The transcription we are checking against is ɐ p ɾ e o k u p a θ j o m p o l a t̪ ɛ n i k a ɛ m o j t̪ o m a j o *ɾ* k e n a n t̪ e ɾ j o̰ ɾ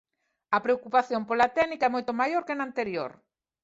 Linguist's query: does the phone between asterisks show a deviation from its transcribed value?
no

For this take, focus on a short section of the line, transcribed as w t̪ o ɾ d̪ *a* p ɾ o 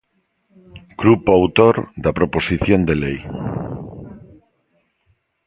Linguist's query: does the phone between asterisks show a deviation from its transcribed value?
no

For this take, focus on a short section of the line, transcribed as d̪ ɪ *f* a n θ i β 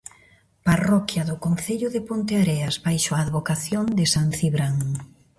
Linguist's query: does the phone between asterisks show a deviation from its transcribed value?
yes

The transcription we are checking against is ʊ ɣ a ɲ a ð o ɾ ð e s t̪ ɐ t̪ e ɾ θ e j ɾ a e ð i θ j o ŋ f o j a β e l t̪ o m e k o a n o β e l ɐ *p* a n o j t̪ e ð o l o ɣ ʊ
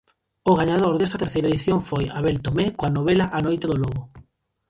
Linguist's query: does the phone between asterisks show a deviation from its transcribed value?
yes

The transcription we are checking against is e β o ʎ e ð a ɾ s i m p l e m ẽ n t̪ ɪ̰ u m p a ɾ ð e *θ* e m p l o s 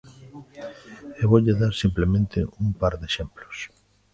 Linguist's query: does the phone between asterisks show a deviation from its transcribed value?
yes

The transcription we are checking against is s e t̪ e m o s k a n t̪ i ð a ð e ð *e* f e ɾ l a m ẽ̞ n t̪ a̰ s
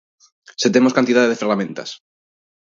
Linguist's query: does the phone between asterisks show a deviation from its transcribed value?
no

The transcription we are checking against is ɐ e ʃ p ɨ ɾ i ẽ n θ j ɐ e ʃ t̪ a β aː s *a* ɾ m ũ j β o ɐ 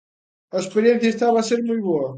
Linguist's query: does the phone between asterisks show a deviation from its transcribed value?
yes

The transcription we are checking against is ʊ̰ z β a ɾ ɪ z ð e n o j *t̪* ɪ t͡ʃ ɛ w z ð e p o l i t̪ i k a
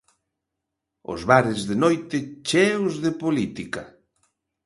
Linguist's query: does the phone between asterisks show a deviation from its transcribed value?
no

